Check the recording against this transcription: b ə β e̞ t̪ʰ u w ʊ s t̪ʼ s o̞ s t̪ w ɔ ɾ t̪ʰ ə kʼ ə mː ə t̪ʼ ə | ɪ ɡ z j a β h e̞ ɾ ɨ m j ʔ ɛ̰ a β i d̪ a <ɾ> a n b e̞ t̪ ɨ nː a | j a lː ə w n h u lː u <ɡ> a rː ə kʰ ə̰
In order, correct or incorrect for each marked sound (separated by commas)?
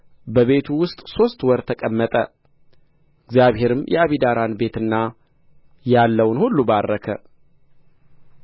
correct, incorrect